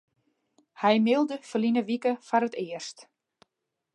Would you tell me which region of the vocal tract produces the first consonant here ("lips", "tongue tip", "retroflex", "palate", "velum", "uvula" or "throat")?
throat